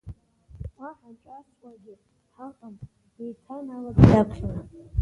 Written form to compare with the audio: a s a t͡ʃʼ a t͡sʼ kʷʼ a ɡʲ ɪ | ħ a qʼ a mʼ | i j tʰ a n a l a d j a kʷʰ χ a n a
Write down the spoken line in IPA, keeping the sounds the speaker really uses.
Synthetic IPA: a ħ a t͡ʃʼ a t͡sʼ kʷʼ a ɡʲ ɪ | ħ a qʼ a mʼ | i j tʰ a n a l a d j a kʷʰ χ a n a